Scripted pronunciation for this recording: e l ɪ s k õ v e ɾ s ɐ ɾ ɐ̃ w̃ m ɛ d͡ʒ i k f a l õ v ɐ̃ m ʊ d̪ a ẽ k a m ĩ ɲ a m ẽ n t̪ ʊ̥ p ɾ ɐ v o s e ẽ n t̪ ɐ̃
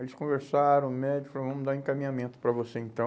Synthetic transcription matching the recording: e l ɪ s k õ v e ɾ s a ɾ ɐ̃ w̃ m ɛ d͡ʒ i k f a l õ v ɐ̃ m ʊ d̪ a ẽ k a m ĩ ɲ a m ẽ n t̪ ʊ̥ p ɾ ɐ v o s e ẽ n t̪ ɐ̃